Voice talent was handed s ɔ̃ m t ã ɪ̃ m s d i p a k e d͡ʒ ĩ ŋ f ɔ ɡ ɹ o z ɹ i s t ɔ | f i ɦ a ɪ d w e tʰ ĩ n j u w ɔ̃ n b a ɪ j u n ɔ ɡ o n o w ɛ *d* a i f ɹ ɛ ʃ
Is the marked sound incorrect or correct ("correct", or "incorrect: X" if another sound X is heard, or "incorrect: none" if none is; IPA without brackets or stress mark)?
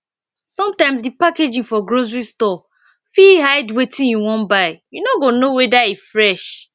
correct